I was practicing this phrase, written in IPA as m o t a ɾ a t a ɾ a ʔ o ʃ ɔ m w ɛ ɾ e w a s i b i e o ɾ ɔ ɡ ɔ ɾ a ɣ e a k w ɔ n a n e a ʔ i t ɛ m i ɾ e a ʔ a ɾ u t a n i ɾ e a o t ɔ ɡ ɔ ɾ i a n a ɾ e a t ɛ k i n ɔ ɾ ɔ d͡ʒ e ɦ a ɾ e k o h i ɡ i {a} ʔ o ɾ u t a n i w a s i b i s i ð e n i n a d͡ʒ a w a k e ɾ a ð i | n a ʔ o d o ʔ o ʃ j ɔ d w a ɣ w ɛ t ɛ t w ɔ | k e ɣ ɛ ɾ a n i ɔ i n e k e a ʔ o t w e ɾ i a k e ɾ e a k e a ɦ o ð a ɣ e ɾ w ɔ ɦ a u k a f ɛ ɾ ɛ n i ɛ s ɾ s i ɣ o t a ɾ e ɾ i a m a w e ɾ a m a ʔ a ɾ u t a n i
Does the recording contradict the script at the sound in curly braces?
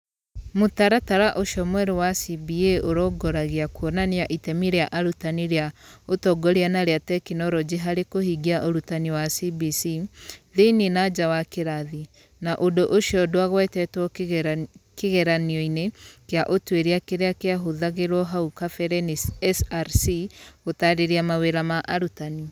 no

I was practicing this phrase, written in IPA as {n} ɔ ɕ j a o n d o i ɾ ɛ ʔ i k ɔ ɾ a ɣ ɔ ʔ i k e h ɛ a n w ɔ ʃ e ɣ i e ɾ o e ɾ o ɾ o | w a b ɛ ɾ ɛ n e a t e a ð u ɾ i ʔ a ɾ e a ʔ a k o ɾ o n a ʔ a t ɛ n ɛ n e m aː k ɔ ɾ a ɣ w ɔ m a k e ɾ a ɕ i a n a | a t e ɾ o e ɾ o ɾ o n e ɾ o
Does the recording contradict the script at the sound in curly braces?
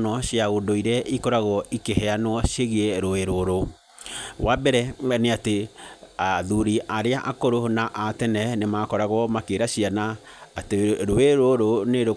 no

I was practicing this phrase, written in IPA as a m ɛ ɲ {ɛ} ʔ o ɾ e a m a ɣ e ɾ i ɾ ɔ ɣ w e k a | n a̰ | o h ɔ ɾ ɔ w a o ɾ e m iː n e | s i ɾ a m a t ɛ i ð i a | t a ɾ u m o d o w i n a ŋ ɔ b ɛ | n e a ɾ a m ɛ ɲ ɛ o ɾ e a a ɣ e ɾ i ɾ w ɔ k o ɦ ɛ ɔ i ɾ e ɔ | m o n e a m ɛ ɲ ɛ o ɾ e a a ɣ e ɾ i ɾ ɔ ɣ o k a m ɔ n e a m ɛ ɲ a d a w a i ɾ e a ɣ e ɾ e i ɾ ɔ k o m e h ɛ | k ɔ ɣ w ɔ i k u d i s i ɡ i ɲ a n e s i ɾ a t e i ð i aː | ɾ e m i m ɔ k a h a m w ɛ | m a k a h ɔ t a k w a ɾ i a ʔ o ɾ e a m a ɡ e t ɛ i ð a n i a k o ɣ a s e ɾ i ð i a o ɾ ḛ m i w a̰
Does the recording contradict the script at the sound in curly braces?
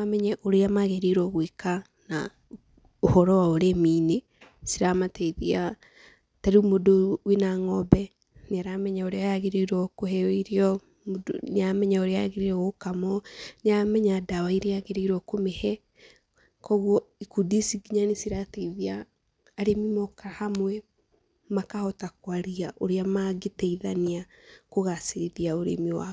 no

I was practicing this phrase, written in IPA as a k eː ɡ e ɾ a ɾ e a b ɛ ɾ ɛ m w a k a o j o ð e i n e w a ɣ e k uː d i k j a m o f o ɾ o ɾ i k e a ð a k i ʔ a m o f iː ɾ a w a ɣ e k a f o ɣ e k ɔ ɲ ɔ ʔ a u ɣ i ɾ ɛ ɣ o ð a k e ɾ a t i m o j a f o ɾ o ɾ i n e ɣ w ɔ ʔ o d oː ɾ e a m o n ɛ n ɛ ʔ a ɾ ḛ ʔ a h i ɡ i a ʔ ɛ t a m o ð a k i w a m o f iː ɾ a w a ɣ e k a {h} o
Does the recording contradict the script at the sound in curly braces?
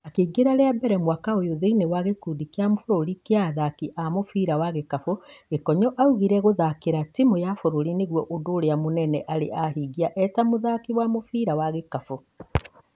yes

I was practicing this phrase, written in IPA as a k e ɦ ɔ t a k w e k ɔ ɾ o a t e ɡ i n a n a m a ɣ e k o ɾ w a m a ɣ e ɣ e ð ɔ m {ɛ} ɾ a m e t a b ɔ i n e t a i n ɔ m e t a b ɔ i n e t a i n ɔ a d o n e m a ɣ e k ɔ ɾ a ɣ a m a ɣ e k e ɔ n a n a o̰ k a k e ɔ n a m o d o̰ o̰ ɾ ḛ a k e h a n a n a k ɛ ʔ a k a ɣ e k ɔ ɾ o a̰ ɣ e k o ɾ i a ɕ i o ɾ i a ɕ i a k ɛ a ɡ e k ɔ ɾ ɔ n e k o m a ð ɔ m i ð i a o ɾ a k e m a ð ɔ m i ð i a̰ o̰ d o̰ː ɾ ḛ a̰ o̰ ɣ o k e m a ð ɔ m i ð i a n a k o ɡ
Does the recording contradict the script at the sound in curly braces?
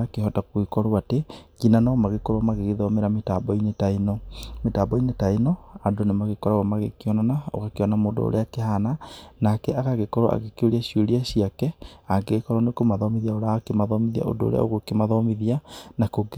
yes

